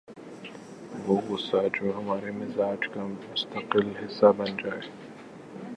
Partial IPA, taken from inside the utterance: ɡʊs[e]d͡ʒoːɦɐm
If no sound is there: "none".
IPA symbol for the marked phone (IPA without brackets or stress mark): a